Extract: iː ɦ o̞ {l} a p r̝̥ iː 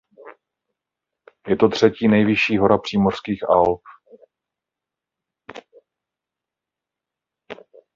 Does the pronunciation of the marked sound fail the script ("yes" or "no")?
yes